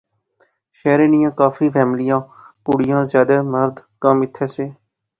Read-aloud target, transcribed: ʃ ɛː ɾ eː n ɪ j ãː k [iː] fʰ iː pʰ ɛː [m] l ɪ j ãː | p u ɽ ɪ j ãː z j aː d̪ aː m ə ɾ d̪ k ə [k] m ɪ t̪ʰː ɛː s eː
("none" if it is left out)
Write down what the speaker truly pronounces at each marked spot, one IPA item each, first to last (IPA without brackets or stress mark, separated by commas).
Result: aː, m, none